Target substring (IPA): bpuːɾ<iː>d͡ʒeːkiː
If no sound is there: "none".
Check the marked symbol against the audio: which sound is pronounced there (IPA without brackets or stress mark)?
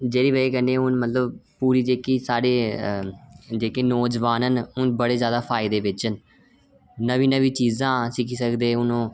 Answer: iː